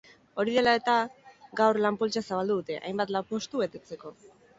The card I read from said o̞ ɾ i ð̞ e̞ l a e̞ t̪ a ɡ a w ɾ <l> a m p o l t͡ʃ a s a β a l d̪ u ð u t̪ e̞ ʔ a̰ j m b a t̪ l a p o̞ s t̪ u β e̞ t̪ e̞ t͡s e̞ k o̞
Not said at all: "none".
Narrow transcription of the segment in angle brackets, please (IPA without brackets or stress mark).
l